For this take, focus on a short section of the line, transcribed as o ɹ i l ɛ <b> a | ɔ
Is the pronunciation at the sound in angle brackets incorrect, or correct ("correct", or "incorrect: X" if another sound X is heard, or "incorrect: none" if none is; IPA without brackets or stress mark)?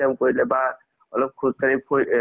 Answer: correct